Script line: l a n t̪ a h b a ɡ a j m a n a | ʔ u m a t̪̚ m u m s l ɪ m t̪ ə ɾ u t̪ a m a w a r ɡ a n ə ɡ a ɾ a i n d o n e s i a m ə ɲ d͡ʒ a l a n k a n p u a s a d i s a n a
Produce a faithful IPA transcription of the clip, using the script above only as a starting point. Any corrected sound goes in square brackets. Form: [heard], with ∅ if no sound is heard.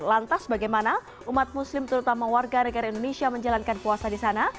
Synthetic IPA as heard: l a n t̪ a [s] b a ɡ a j m a n a | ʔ u m a t̪̚ m u [∅] s l ɪ m t̪ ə ɾ u t̪ a m a w a r ɡ a n ə ɡ a ɾ a i n d o n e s i a m ə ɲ d͡ʒ a l a n k a n p u a s a d i s a n a